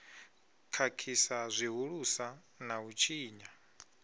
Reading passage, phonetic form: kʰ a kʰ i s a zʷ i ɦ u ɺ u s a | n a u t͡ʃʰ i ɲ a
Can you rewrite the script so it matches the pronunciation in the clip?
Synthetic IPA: kʰ a kʰ i s a zʷ i ɦ u ɺ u s a | n a u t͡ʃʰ iː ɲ a